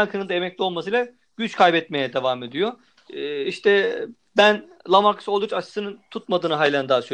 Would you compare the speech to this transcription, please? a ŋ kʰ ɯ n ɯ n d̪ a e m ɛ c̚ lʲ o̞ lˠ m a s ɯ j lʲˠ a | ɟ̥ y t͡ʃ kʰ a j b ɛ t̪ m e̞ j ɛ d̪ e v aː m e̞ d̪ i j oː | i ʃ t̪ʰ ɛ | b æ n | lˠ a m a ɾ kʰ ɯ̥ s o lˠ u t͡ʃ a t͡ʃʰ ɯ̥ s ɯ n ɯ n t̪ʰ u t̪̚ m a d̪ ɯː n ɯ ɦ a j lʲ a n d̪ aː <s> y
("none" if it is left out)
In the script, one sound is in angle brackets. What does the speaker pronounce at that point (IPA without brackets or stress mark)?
s